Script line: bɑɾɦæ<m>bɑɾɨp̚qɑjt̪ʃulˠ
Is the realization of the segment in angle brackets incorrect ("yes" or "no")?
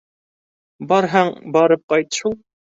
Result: yes